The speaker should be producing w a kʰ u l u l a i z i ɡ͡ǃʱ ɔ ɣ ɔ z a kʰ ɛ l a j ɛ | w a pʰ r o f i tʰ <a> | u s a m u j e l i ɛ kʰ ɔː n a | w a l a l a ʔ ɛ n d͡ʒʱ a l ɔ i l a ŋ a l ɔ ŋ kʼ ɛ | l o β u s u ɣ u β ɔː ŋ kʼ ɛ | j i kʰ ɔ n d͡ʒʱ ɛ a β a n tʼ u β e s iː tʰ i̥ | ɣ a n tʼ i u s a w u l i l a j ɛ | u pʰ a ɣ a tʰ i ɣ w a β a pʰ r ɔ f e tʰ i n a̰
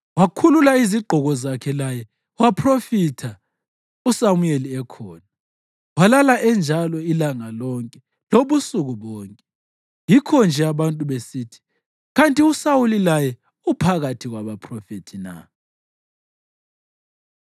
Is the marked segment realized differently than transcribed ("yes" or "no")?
no